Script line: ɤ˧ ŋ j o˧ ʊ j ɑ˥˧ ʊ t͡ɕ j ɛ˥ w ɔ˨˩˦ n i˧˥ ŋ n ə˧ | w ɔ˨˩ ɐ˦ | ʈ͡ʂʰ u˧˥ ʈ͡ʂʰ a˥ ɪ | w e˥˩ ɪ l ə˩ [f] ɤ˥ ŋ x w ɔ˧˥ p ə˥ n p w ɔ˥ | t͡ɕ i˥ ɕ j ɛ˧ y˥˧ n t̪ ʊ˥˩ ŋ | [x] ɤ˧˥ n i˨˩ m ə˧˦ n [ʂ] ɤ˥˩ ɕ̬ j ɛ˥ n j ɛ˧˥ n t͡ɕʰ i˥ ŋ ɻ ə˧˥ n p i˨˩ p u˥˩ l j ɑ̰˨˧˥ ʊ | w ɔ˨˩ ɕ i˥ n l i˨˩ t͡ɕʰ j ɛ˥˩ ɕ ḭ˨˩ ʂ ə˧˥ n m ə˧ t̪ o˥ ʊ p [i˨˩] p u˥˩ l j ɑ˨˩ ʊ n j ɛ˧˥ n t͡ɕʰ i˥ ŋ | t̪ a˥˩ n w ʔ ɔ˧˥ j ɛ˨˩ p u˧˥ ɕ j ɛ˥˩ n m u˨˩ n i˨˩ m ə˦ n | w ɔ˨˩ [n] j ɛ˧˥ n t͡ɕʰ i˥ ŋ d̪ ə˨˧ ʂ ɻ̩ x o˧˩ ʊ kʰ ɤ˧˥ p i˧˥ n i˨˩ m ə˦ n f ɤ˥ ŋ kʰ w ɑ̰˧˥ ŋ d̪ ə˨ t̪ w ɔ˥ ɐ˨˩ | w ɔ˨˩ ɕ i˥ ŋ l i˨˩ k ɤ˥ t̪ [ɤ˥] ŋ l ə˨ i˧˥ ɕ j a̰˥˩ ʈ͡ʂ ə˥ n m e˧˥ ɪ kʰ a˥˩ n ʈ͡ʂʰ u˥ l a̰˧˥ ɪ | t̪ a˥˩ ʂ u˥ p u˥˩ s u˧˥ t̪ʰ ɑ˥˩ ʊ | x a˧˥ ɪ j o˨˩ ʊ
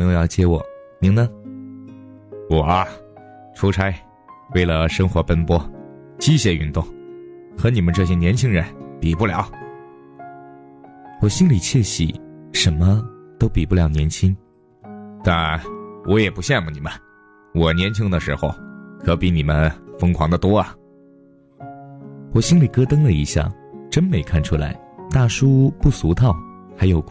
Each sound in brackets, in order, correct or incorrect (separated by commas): incorrect, correct, incorrect, correct, correct, correct